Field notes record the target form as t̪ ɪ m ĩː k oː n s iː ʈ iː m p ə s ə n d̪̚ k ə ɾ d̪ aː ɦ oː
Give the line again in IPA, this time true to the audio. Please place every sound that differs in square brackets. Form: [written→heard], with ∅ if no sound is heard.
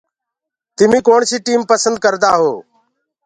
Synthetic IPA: t̪ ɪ m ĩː k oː [n→ɳ] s iː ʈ iː m p ə s ə n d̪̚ k ə ɾ d̪ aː ɦ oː